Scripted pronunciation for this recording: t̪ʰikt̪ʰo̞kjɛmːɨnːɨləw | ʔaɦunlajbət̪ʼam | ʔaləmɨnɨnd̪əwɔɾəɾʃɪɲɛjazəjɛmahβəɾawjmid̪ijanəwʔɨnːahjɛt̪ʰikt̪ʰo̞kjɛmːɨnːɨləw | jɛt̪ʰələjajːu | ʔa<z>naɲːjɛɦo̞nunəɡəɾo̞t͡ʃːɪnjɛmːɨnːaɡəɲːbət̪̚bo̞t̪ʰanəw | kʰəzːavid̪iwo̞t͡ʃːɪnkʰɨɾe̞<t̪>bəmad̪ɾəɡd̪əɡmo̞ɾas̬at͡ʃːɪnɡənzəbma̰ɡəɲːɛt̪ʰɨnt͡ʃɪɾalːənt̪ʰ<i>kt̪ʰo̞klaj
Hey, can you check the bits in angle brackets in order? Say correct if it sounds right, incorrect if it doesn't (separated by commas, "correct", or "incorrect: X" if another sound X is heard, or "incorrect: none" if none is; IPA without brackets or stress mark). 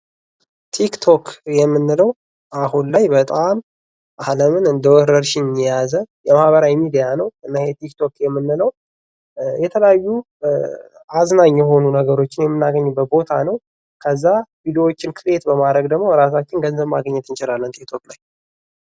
correct, correct, correct